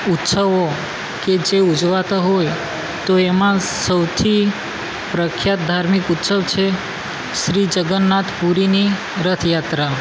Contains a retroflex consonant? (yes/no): no